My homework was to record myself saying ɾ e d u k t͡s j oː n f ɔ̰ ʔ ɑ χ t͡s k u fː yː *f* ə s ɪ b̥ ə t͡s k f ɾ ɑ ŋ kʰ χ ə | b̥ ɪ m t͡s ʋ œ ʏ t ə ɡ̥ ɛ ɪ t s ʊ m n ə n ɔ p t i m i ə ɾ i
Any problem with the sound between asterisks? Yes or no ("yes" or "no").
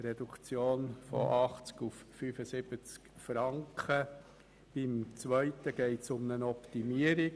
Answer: no